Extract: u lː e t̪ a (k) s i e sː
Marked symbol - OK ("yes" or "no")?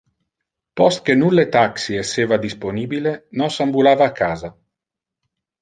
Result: yes